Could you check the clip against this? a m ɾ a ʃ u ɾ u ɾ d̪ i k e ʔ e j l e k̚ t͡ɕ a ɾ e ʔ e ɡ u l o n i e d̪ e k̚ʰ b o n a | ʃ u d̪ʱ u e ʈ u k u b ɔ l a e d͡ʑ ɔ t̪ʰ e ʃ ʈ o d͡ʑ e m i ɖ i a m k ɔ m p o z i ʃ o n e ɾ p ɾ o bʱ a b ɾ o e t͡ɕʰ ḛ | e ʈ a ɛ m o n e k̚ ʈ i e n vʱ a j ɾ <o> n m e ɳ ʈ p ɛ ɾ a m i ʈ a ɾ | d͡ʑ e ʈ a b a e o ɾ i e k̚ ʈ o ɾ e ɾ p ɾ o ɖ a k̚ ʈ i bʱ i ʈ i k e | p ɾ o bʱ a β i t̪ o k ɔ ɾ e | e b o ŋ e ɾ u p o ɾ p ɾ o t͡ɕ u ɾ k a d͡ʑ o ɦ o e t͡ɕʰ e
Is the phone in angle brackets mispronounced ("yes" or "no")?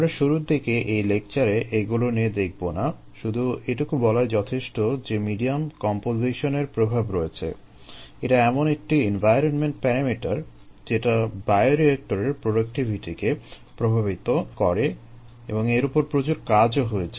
no